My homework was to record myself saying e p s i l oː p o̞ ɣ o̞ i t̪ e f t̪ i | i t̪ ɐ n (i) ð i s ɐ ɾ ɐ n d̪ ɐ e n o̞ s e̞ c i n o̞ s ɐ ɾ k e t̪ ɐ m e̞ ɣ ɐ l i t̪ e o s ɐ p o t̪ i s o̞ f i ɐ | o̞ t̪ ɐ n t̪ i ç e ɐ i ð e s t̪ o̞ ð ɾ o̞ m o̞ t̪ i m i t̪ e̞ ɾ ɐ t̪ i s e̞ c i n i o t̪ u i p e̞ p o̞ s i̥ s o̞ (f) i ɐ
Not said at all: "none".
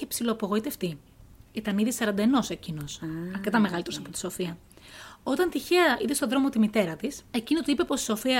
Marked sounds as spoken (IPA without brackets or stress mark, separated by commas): i, f